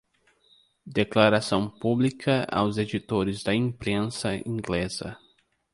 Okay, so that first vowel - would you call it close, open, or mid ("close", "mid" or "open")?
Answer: mid